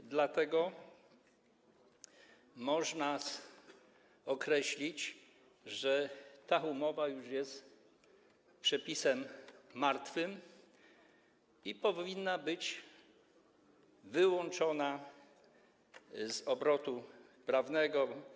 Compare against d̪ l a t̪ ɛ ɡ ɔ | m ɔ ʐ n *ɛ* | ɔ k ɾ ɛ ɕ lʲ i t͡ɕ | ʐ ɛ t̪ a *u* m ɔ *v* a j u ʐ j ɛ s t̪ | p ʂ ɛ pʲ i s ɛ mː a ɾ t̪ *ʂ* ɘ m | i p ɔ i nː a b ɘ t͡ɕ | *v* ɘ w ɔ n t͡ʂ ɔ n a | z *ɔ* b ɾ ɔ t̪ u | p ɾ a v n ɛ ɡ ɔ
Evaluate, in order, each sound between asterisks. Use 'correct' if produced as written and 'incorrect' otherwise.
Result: incorrect, correct, correct, incorrect, correct, correct

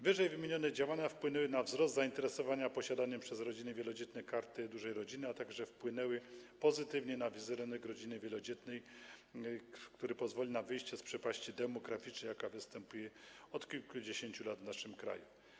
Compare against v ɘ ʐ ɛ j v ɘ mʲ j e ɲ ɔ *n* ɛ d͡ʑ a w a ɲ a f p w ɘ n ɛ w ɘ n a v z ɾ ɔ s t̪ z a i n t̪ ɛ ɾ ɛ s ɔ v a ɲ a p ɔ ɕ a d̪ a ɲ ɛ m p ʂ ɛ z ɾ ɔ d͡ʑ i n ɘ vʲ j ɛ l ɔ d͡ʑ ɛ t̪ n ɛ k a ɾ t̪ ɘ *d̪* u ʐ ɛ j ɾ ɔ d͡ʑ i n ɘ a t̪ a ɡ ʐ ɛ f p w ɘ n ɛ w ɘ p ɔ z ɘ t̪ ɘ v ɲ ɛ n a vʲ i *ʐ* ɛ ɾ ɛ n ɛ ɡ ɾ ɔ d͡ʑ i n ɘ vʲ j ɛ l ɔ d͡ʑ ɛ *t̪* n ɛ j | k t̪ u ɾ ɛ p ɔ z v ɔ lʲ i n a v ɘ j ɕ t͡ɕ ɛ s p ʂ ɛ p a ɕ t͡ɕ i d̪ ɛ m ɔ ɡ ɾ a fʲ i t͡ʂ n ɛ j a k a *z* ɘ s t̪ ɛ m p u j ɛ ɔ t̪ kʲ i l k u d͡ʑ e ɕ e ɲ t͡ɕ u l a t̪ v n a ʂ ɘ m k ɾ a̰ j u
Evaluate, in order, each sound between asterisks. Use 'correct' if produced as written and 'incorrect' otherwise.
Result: correct, correct, incorrect, correct, incorrect

